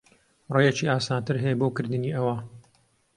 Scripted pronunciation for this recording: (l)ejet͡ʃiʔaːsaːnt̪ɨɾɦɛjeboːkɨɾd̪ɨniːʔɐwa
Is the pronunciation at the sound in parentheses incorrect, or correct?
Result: incorrect: r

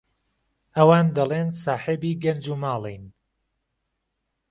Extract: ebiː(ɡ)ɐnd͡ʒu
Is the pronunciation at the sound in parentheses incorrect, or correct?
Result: correct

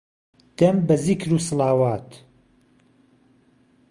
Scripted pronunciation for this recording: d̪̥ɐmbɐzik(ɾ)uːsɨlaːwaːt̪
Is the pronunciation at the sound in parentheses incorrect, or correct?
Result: correct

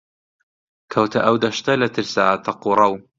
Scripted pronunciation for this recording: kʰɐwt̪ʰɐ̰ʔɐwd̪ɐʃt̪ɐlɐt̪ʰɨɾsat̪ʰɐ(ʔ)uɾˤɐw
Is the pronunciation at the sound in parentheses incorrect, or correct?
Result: incorrect: q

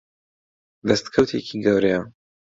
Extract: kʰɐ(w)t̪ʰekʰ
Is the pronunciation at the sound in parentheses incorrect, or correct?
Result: correct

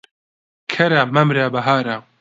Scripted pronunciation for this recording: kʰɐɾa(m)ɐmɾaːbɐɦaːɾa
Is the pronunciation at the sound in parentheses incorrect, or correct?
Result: correct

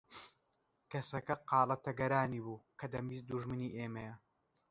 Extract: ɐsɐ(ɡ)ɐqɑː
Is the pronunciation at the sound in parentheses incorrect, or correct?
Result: incorrect: k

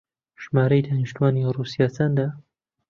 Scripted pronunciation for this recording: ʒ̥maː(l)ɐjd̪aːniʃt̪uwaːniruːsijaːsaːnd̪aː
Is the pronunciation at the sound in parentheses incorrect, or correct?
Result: incorrect: ɾ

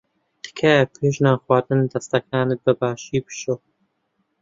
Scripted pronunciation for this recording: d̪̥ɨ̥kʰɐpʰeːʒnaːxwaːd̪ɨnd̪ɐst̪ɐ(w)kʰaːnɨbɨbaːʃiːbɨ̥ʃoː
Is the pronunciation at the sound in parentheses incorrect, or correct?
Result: incorrect: none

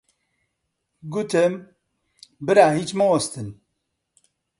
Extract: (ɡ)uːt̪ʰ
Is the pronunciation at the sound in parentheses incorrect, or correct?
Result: correct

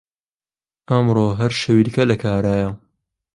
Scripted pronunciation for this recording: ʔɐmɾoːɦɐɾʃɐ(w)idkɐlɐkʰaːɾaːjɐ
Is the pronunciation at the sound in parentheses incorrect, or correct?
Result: correct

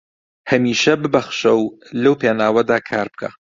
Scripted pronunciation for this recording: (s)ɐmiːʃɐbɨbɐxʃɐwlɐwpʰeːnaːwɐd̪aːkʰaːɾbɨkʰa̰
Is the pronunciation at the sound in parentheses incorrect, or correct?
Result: incorrect: h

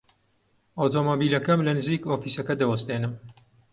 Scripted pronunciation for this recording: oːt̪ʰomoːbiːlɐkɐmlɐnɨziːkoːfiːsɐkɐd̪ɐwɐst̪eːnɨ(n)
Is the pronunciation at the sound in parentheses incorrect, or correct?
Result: incorrect: m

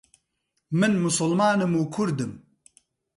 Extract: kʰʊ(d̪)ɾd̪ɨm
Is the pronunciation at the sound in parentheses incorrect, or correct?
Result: incorrect: none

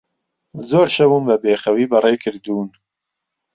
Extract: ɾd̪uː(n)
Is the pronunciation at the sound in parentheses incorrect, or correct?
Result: correct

